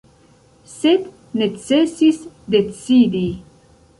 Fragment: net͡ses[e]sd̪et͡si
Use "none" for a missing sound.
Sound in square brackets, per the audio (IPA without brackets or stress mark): i